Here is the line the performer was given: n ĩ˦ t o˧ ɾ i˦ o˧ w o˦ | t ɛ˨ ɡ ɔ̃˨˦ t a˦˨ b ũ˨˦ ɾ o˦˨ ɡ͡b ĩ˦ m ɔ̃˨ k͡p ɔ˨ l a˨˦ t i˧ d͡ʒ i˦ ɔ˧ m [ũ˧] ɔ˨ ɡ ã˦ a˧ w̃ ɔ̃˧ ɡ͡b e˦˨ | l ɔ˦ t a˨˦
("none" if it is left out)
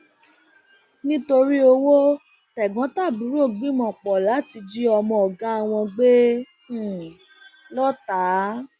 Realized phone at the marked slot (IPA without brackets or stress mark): ɔ̃˧